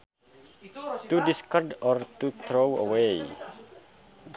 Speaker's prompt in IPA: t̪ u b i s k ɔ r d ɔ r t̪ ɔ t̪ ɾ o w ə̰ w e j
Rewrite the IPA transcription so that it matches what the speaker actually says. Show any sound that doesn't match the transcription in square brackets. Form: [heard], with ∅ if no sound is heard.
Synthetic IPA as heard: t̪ u [d] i s k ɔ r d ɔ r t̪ [u] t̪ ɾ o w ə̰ w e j